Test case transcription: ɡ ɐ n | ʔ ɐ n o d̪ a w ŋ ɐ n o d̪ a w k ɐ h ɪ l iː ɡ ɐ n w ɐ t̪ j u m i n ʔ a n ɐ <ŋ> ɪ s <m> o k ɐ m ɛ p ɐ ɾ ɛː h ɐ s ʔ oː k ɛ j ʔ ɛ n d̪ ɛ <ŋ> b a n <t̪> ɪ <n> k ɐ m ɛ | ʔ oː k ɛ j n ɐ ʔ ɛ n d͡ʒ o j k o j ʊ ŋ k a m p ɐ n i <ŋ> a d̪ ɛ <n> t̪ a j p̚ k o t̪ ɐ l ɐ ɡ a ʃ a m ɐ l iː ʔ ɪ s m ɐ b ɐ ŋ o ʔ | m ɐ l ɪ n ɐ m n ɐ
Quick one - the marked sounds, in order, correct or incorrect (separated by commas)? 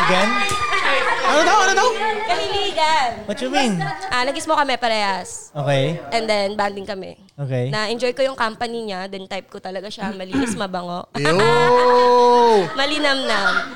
incorrect, correct, incorrect, incorrect, incorrect, incorrect, correct